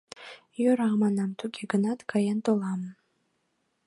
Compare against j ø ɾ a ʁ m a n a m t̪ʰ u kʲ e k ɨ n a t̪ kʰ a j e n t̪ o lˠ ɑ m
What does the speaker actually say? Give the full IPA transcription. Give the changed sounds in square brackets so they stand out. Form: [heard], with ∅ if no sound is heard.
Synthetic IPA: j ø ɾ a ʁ m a n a m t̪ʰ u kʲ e [ɡ] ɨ n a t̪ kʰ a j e n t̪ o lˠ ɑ m